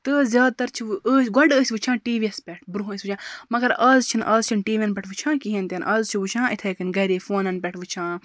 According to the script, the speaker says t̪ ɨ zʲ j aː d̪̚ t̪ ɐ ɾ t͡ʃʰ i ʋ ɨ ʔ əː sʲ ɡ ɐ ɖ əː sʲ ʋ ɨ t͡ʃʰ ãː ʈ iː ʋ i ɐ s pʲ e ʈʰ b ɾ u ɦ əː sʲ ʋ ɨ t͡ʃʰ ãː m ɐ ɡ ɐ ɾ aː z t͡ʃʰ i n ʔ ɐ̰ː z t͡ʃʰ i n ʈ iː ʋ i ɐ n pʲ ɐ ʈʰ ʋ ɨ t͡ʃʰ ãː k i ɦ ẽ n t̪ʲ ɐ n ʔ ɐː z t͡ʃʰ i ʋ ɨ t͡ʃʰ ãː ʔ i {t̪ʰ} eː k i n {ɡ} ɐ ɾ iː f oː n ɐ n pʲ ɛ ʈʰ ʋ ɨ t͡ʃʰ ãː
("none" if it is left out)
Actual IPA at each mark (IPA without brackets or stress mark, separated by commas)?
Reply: t̪ʰ, ɡ